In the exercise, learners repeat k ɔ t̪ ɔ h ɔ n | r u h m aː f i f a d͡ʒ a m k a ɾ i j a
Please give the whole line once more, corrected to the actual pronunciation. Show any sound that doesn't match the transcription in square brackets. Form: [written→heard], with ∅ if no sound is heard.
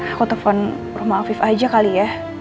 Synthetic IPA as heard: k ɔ t̪ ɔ [h→f] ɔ n | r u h m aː f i f a d͡ʒ a [m→∅] k a [ɾ→l] i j a